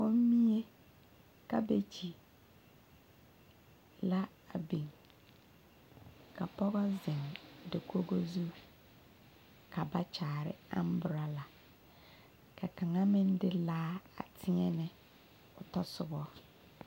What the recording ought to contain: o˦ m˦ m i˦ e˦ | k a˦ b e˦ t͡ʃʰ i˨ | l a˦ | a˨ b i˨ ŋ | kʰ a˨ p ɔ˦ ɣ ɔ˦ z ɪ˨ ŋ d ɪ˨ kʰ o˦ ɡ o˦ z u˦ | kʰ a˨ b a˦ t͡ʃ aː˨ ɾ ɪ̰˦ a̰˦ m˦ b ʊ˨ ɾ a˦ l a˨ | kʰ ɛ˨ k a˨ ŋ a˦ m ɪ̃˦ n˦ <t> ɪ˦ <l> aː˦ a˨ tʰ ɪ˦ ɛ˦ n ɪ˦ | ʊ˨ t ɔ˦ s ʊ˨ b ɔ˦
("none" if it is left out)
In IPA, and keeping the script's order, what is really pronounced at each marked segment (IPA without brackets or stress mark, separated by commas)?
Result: d, l